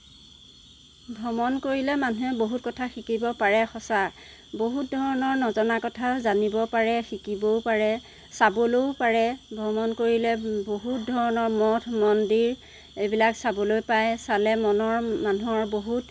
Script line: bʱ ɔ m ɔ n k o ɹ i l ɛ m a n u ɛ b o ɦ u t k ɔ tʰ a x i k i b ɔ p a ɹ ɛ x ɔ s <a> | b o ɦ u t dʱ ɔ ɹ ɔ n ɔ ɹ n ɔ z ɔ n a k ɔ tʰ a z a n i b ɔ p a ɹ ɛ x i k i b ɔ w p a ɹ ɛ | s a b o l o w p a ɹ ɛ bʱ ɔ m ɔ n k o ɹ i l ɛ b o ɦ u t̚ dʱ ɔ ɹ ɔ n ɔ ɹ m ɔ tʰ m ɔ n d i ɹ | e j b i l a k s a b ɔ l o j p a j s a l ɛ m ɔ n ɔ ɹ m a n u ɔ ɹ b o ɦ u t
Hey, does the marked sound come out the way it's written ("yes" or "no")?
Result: yes